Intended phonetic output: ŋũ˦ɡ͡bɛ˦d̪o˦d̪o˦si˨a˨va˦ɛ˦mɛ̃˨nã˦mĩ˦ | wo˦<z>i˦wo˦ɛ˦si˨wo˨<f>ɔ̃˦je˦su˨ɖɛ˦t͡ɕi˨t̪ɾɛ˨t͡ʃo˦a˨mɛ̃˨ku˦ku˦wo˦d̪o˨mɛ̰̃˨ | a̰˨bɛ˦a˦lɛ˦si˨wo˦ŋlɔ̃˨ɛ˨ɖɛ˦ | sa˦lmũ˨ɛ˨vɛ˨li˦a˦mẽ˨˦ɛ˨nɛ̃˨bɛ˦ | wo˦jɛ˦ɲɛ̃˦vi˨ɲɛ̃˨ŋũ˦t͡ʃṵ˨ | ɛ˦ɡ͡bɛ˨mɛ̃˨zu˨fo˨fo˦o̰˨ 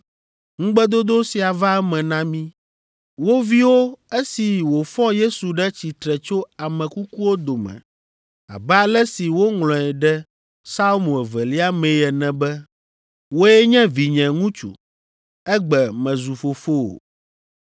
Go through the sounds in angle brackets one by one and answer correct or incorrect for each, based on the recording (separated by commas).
incorrect, correct